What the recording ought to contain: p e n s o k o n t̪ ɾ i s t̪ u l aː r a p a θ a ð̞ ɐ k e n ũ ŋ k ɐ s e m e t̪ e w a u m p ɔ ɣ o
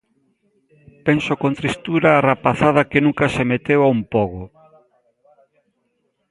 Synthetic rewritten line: p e n s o k o n t̪ ɾ i s t̪ u ɾ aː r a p a θ a ð̞ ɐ k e n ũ ŋ k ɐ s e m e t̪ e w a u m p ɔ ɣ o